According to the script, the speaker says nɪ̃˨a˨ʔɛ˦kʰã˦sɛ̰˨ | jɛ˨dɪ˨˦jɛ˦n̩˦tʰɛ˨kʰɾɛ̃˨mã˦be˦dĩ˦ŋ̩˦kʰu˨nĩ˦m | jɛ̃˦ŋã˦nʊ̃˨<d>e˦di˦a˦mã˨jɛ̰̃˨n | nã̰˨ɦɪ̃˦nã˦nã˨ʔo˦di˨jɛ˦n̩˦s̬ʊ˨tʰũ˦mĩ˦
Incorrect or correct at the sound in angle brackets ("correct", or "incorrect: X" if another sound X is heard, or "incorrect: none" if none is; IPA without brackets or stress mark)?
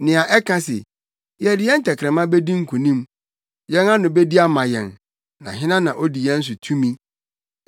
incorrect: b